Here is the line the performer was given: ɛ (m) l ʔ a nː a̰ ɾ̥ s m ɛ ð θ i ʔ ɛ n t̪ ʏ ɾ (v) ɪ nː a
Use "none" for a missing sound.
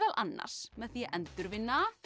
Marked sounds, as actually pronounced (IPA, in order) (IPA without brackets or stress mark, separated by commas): none, v